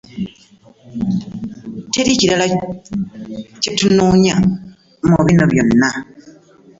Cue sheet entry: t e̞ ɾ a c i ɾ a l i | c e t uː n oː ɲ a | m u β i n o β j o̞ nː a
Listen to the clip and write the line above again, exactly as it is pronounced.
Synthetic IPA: t e̞ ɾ i c i ɾ a l a | c e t u n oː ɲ a | m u β i n o β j o̞ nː a